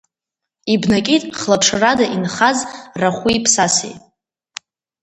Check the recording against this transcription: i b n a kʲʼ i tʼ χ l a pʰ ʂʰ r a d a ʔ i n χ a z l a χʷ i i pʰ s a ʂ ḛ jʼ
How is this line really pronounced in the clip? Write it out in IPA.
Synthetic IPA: i b n a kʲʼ i tʼ χ l a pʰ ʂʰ r a d a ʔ i n χ a z r a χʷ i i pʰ s a s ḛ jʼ